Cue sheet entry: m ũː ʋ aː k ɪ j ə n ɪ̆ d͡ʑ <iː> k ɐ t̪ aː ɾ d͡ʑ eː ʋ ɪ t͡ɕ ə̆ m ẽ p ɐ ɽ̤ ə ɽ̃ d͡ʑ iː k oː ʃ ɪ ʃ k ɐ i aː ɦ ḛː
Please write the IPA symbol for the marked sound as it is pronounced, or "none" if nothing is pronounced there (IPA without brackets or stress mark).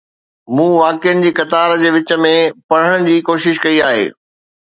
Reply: iː